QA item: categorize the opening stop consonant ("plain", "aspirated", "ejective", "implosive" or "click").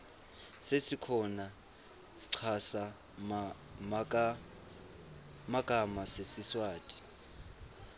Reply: aspirated